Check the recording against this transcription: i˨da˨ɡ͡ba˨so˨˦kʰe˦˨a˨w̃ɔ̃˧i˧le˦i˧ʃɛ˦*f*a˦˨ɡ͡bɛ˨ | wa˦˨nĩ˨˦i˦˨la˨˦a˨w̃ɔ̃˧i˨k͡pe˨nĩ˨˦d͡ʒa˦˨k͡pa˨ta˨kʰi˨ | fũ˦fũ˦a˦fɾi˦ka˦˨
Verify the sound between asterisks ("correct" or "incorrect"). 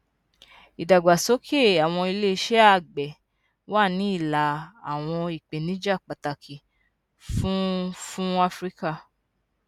incorrect